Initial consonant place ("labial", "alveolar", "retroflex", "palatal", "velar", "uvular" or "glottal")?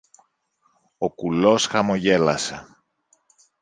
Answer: velar